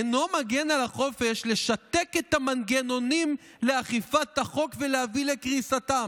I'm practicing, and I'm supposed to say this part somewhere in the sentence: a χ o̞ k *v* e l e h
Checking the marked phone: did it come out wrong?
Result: no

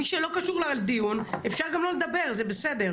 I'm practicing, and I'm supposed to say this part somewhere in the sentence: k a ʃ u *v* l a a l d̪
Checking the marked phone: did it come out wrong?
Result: yes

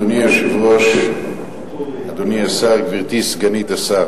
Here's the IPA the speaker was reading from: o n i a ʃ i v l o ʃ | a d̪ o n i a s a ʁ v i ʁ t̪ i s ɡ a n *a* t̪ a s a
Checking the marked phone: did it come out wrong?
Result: yes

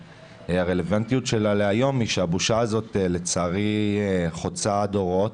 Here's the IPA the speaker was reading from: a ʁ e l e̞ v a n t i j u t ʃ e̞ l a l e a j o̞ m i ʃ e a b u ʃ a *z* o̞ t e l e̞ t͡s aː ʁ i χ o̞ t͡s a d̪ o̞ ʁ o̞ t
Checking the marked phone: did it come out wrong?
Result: no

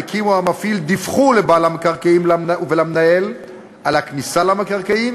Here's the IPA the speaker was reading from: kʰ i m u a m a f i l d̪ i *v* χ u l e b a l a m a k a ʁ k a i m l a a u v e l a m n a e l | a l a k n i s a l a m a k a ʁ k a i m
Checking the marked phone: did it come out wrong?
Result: yes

